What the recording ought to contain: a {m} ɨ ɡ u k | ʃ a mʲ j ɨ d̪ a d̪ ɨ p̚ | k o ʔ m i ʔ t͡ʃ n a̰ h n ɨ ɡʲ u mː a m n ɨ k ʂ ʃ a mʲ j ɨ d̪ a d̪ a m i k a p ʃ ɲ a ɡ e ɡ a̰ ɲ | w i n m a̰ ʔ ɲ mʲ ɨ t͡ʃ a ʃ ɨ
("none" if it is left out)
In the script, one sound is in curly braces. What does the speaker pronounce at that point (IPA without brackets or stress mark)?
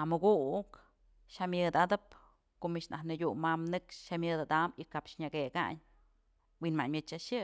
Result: m